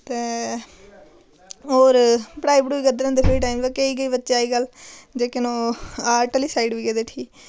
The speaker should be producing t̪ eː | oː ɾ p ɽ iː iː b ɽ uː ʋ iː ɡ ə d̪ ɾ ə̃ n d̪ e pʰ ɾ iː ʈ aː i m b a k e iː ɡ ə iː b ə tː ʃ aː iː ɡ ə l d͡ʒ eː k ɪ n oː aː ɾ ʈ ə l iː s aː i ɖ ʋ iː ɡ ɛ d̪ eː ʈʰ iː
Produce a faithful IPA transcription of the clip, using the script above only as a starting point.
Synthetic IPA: t̪ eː | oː ɾ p ɽ aː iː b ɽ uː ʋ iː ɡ ə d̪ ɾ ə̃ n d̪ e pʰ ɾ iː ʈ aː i m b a k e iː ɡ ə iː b ə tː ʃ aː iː ɡ ə l d͡ʒ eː k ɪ n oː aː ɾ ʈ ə l iː s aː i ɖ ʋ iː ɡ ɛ d̪ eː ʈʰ iː